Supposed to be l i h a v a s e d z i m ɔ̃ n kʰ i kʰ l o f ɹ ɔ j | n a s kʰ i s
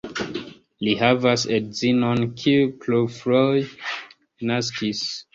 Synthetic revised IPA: l i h a v a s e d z i n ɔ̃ n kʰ i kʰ l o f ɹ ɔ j | n a s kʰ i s

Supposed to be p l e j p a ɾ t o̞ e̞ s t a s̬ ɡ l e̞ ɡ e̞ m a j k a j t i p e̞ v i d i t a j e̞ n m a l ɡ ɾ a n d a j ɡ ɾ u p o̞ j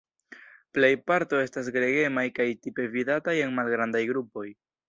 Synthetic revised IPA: p l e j p a ɾ t o̞ e̞ s t a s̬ ɡ ɾ e̞ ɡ e̞ m a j k a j t i p e̞ v i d a t a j e̞ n m a l ɡ ɾ a n d a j ɡ ɾ u p o̞ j

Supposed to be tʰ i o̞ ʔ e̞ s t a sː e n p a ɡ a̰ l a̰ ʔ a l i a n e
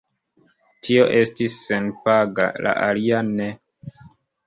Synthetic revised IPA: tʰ i o̞ ʔ e̞ s t i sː e n p a ɡ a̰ l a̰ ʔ a l i a n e

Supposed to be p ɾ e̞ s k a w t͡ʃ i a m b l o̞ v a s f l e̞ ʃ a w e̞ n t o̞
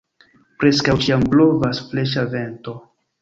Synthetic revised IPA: p ɾ e̞ s k a w t͡ʃ i a m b l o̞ v a s f l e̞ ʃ a v e̞ n t o̞

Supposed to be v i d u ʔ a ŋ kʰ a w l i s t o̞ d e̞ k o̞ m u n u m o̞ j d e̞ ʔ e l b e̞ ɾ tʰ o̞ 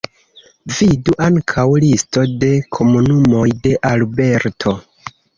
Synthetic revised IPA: v i d u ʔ a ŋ kʰ a w l i s t o̞ d e̞ kʰ o̞ m u n u m o̞ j d e̞ ʔ a l b e̞ ɾ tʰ o̞

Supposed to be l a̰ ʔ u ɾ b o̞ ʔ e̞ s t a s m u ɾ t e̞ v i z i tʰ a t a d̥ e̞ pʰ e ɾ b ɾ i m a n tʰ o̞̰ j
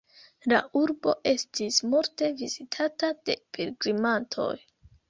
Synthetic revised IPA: l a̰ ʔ u ɾ b o̞ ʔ e̞ s t i s m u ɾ t e̞ v i z i tʰ a t a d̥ e̞ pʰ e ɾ ɡ ɾ i m a n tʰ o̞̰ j

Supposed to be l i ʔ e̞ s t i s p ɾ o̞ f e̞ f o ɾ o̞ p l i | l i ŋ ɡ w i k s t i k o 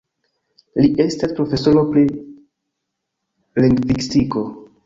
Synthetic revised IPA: l i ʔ e̞ s t a s p ɾ o̞ f e̞ s o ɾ o̞ p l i | l i ŋ ɡ v i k s t i k o

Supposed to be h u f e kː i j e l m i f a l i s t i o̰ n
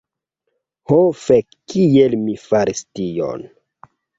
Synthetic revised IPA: h o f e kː i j e l m i f a ɾ i s t i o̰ n

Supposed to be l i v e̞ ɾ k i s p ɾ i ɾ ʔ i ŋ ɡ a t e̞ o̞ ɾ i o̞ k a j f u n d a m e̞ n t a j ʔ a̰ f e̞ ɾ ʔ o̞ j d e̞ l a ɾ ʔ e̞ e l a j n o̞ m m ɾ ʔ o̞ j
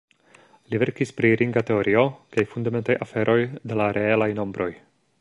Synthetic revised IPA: l i v e̞ ɾ k i s p ɾ i ɾ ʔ i ŋ ɡ a t e̞ o̞ ɾ i o̞ k a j f u n d a m e̞ n t a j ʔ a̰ f e̞ ɾ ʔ o̞ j d e̞ l a ɾ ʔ e̞ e l a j n o̞ m b ɾ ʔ o̞ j

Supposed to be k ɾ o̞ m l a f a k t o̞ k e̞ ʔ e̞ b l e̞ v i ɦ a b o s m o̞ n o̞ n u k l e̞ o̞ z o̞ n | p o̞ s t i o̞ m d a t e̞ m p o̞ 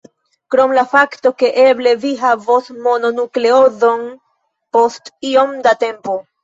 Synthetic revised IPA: k ɾ o̞ m l a f a k t o̞ k e̞ ʔ e̞ b l e̞ v i ɦ a v o s m o̞ n o̞ n u k l e̞ o̞ z o̞ n | p o̞ s t i o̞ m d a t e̞ m p o̞

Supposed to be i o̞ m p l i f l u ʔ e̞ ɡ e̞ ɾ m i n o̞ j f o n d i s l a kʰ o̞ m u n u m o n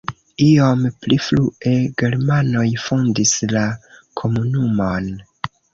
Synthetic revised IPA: i o̞ m p l i f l u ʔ e̞ ɡ e̞ ɾ m a n o̞ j f o n d i s l a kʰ o̞ m u n u m o n

